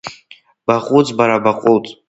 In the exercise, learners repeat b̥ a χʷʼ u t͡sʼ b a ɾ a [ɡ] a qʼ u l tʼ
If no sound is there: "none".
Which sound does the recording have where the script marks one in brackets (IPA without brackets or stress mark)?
b